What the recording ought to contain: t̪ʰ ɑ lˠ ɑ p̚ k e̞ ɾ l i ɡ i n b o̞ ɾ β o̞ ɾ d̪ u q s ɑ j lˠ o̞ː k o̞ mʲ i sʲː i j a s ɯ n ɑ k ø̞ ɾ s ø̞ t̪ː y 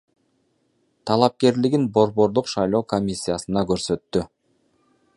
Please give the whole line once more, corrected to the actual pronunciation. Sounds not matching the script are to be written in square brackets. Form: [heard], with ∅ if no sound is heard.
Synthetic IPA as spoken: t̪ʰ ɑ lˠ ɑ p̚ k e̞ ɾ l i ɡ i n b o̞ ɾ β o̞ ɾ d̪ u q [ʃ] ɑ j lˠ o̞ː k o̞ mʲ i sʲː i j a s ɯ n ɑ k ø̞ ɾ s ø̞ t̪ː y